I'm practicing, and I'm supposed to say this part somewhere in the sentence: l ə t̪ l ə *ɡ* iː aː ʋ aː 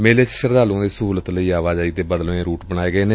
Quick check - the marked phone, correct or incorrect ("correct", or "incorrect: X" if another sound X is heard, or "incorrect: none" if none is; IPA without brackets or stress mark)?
incorrect: none